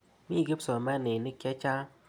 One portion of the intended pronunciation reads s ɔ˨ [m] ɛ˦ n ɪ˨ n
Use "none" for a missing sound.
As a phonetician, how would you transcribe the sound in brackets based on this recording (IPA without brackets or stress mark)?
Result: m